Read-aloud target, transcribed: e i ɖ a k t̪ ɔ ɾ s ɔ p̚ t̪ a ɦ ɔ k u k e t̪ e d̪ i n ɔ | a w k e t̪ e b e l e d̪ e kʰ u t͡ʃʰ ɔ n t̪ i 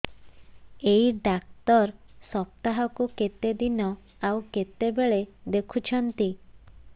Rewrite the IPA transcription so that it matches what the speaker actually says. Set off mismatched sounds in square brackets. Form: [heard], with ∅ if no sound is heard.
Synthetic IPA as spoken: e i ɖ a k t̪ ɔ ɾ s ɔ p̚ t̪ a ɦ ɔ k u k e t̪ e d̪ i n ɔ | a w k e t̪ e b e [ɭ] e d̪ e kʰ u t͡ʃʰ ɔ n t̪ i